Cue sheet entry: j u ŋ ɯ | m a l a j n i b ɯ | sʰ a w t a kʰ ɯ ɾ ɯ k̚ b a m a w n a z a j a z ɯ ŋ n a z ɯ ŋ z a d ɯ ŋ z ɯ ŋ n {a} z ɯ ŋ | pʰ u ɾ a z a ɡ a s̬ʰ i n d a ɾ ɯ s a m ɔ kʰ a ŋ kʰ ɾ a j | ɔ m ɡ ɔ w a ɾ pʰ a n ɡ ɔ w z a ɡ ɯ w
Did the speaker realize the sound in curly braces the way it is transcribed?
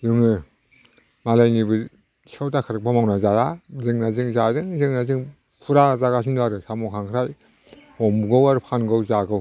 yes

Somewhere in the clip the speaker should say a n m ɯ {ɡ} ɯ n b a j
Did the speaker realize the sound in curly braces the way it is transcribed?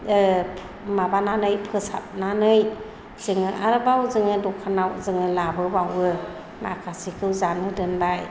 no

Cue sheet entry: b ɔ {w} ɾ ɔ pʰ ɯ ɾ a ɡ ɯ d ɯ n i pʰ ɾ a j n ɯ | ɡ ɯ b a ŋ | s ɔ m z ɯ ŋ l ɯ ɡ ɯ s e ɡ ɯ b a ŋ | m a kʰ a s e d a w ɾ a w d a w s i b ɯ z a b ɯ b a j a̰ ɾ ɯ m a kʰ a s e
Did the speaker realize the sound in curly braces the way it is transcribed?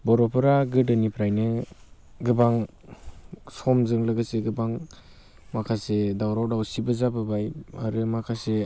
no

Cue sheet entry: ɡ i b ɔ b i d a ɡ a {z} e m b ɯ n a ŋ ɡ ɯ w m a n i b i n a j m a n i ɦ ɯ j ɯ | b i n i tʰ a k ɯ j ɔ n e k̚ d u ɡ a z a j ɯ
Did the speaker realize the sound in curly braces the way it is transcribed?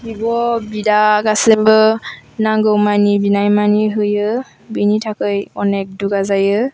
no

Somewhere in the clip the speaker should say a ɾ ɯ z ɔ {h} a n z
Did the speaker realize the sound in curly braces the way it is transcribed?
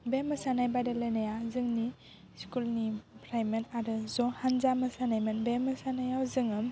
yes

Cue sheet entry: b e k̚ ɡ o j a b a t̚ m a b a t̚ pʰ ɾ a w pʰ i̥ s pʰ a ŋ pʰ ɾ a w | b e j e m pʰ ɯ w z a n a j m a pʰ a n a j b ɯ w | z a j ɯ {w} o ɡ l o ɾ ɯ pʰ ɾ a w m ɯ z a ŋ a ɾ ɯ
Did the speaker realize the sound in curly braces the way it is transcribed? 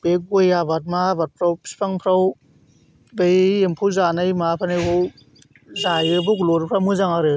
no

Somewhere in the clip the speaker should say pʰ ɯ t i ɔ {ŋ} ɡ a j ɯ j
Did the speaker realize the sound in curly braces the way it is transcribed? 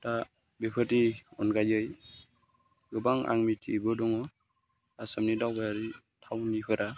no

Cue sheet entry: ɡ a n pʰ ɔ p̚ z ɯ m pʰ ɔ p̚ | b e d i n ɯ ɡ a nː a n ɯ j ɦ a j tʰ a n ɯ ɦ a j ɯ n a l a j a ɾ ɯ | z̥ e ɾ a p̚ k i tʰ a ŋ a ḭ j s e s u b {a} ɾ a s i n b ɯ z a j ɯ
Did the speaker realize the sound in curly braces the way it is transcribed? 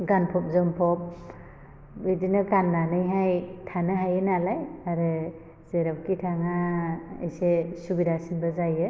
no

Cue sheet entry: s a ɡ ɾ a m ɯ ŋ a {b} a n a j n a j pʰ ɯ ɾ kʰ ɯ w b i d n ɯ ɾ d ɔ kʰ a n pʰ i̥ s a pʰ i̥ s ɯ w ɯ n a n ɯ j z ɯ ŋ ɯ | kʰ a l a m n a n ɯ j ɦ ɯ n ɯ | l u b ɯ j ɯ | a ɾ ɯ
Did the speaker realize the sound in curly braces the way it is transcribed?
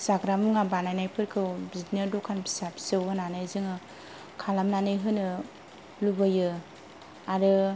yes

